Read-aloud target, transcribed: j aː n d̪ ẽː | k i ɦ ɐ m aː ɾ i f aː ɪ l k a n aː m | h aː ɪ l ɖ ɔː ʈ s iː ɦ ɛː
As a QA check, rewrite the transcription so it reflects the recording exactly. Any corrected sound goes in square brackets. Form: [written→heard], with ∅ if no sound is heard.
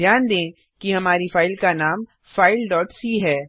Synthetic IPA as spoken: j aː n d̪ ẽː | k i ɦ ɐ m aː ɾ i f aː ɪ l k a n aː m | [h→f] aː ɪ l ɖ ɔː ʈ s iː ɦ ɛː